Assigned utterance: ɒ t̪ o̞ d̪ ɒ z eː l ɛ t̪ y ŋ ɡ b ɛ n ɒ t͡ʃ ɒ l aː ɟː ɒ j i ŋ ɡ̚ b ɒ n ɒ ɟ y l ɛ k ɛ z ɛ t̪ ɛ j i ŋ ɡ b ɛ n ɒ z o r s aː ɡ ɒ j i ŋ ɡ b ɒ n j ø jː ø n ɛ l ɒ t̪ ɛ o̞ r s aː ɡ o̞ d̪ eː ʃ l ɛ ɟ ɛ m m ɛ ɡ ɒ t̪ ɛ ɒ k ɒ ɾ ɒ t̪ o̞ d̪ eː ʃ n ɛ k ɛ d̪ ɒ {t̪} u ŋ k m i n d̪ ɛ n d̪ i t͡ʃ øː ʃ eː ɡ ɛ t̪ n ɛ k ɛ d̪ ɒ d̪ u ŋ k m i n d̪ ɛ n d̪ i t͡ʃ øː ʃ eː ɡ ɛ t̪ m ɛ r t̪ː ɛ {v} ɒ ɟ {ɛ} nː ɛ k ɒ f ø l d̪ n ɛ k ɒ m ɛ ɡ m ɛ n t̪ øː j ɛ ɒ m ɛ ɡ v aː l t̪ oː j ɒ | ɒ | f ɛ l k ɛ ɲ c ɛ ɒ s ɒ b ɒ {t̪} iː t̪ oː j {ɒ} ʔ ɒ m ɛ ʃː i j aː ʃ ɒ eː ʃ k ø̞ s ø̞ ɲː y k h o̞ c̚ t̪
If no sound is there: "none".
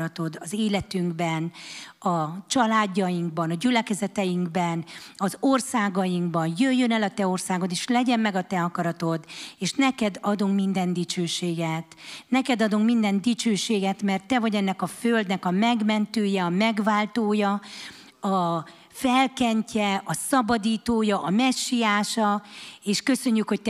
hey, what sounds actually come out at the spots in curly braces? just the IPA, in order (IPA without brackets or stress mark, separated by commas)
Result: d̪, v, ɛ, d̪, ɒ